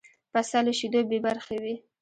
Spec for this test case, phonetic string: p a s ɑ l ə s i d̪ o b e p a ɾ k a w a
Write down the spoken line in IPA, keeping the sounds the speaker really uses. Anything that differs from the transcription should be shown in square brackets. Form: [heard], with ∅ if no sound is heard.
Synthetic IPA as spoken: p a s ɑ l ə [ʃ] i d̪ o b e [b] a ɾ [x] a w [i]